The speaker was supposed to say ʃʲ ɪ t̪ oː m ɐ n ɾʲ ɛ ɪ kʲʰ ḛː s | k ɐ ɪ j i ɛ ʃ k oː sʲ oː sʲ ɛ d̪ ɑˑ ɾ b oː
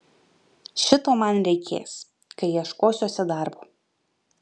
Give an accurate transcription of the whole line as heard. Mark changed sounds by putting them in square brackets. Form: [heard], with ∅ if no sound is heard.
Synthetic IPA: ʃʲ ɪ t̪ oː m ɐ n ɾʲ ɛ ɪ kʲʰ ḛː s | k ɐ ɪ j i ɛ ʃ k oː sʲ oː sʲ ɛ d̪ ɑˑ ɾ b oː